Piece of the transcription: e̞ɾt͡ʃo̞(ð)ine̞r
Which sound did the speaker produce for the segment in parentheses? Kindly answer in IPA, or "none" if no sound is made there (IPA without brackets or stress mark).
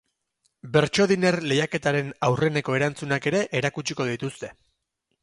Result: ð